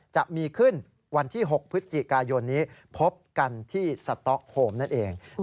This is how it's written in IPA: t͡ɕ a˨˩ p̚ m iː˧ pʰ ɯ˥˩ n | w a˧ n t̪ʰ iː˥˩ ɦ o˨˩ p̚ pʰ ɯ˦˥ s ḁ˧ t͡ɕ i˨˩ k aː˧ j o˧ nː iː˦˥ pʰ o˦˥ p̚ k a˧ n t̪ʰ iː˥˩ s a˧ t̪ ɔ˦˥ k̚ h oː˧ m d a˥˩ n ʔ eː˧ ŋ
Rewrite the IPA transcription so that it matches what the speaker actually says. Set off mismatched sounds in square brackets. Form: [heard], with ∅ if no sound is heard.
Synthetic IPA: t͡ɕ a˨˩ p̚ m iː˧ [kʰ] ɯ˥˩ n | w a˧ n t̪ʰ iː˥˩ ɦ o˨˩ [k̚] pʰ ɯ˦˥ s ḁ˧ t͡ɕ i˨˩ k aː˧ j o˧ nː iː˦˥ pʰ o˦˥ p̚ k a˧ n t̪ʰ iː˥˩ s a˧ t̪ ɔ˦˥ k̚ h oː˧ m [n] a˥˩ n ʔ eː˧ ŋ